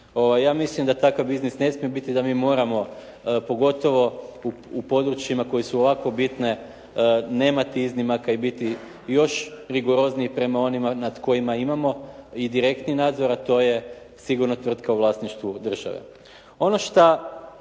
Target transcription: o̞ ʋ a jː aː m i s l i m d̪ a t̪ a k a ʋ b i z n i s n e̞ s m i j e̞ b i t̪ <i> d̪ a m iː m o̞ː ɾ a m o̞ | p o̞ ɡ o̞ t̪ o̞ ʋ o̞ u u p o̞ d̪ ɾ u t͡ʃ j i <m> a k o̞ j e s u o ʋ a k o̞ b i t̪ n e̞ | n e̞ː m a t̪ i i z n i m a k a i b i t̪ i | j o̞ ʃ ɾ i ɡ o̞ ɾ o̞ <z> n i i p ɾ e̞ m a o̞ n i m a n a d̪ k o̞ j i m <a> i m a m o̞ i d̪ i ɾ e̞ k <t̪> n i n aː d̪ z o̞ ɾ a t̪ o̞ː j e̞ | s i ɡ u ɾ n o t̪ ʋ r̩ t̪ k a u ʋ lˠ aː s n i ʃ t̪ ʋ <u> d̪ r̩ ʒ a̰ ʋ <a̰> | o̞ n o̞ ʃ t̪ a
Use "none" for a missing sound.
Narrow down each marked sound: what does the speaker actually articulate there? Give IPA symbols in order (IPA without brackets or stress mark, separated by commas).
i, m, z, a, t̪, u, ḛ